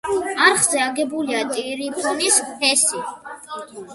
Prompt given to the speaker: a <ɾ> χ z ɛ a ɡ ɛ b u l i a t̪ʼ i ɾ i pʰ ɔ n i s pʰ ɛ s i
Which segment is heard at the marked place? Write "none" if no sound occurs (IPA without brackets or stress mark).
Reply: ɾ